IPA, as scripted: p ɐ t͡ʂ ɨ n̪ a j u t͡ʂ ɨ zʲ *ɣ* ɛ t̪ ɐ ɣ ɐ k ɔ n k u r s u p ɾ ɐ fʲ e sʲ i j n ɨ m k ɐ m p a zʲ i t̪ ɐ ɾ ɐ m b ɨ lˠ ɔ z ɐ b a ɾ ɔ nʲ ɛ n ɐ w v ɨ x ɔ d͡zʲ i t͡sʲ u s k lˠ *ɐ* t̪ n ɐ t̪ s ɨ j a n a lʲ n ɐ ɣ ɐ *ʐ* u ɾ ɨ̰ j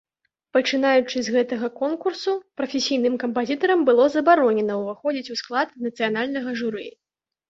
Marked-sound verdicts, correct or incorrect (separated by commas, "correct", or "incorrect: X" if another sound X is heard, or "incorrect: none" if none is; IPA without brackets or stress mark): correct, incorrect: a, correct